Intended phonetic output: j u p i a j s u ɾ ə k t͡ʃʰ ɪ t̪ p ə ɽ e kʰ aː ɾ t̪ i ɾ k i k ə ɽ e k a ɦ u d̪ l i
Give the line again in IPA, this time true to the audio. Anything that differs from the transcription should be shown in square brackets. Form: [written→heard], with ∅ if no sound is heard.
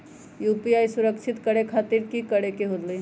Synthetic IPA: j u p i a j s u ɾ ə k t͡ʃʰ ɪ t̪ [p→k] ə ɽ e kʰ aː [ɾ→∅] t̪ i ɾ k i k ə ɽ e k [a→e] ɦ [u→o] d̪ l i